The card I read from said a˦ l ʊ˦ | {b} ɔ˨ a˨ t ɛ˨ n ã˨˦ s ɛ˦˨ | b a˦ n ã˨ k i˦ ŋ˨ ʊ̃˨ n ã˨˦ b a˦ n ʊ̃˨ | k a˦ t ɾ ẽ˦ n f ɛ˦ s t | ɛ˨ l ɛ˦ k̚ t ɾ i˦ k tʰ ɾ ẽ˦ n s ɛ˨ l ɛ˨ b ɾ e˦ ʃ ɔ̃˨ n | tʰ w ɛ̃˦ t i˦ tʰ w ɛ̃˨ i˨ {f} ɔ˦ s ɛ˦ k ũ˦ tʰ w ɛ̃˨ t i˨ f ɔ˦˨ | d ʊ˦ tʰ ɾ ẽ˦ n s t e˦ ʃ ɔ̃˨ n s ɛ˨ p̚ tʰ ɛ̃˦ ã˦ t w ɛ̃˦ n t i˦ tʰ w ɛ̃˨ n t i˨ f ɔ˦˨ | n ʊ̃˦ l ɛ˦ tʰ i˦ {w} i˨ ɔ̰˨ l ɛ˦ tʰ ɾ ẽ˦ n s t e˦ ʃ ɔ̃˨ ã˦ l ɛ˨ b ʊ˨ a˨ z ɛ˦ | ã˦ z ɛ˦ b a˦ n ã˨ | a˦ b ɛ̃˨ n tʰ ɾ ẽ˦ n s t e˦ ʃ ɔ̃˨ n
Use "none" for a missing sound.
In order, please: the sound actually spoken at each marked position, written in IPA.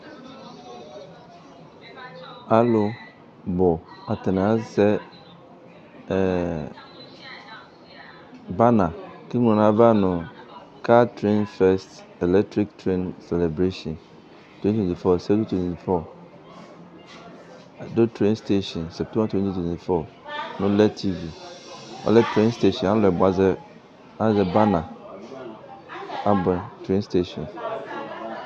b, f, v

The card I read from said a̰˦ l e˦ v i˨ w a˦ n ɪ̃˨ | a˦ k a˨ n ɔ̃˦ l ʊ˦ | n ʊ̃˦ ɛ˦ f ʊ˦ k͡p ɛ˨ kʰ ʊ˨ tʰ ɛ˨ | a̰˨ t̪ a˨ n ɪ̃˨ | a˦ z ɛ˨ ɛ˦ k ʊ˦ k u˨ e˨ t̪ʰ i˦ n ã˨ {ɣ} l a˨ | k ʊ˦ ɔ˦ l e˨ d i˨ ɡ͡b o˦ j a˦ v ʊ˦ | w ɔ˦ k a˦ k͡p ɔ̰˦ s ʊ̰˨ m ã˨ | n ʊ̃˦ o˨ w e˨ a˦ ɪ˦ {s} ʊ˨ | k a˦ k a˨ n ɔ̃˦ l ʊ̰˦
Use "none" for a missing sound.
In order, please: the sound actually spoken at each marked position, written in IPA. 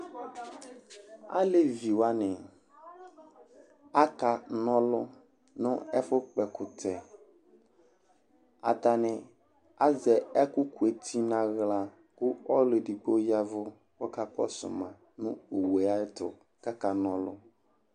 ɣ, t

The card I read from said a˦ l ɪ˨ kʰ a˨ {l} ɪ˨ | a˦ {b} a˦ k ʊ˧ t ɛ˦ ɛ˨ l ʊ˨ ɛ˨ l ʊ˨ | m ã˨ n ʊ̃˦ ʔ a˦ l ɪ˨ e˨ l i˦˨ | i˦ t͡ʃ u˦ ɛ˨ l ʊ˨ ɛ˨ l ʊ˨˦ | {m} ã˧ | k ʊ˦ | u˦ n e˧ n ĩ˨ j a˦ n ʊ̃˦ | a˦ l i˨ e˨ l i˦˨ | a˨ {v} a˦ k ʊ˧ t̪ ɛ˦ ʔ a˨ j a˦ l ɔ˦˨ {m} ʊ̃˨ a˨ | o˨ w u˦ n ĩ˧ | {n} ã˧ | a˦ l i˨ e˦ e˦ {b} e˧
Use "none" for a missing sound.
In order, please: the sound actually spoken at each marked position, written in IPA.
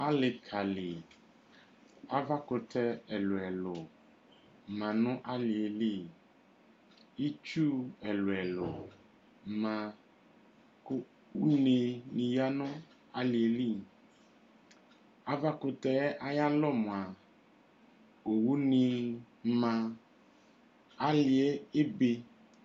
l, v, m, v, m, m, b

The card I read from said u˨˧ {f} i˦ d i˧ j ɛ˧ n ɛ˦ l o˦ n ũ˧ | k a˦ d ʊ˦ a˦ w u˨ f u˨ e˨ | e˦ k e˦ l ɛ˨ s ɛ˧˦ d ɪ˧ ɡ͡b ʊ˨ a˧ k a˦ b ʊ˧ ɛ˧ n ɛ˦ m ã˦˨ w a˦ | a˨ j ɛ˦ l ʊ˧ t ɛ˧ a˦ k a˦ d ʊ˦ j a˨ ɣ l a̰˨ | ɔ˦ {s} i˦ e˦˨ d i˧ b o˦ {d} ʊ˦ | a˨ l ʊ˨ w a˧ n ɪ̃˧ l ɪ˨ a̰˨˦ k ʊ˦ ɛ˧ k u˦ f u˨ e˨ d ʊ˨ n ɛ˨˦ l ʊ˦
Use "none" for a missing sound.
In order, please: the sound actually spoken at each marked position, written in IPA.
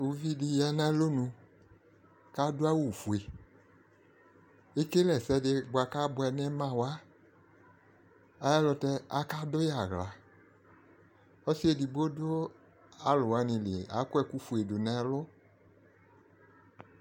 v, s, d

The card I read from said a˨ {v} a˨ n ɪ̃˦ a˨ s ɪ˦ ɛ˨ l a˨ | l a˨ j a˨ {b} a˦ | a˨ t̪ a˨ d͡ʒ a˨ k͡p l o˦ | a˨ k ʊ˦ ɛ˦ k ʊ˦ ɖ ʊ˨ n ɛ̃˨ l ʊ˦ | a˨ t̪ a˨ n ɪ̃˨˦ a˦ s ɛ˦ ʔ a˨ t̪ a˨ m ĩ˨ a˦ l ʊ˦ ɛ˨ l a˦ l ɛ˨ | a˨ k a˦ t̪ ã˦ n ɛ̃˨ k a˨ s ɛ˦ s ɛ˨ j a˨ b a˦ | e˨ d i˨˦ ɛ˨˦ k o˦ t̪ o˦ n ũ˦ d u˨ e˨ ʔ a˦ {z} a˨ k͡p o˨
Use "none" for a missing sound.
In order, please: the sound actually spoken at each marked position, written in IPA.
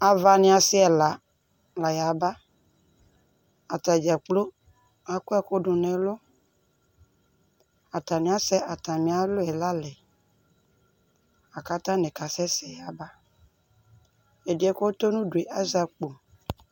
v, b, z

